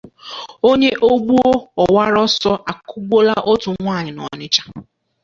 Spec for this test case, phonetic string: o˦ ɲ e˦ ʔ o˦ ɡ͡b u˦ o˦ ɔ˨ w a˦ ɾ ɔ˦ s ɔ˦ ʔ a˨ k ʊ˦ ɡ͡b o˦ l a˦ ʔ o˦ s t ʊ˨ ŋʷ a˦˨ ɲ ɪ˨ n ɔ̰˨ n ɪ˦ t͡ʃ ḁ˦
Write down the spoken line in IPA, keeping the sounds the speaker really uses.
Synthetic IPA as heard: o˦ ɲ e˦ ʔ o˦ ɡ͡b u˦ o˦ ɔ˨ w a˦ ɾ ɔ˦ s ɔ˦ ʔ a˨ k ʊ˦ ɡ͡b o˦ l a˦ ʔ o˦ t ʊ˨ ŋʷ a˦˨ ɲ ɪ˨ n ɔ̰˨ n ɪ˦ t͡ʃ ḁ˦